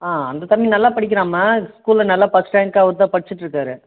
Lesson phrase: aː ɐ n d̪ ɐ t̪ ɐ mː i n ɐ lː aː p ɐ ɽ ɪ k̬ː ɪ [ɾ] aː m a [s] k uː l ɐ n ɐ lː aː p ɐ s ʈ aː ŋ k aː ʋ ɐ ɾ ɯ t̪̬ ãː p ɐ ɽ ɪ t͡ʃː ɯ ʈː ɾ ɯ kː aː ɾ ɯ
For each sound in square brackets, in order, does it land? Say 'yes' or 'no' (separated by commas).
yes, yes